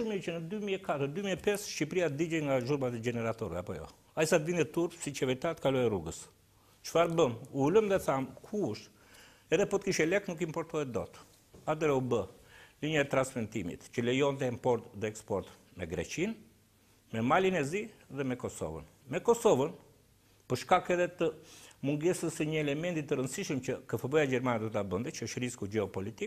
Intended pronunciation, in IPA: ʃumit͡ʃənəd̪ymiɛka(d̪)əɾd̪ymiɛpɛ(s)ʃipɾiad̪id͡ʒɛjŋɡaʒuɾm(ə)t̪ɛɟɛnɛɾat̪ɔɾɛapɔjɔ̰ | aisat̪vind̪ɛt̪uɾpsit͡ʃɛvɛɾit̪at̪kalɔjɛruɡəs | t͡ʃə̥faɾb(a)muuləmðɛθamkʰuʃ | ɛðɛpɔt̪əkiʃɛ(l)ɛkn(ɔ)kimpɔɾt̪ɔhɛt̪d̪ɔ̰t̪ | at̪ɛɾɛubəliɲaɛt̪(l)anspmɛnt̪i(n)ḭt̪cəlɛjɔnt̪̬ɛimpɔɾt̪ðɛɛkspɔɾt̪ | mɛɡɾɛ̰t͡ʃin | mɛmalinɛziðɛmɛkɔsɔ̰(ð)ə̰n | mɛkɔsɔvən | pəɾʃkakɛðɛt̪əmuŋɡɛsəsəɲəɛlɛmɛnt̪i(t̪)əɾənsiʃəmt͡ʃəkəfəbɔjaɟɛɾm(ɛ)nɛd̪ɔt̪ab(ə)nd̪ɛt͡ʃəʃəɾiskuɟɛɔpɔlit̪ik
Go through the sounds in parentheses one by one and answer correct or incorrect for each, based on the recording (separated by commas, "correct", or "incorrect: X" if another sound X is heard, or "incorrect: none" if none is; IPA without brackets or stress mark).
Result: incorrect: t̪, correct, incorrect: a, incorrect: ə, correct, incorrect: u, incorrect: ɾ, incorrect: m, incorrect: v, correct, incorrect: a, correct